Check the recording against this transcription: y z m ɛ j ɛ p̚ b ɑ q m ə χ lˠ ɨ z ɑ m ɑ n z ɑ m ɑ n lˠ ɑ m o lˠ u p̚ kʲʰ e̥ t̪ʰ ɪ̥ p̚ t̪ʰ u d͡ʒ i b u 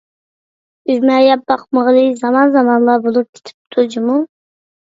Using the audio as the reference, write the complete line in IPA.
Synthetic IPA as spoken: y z m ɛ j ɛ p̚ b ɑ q m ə ʁ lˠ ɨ z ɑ m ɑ n z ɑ m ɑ n lˠ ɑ b o lˠ u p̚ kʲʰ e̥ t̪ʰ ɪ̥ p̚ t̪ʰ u d͡ʒ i m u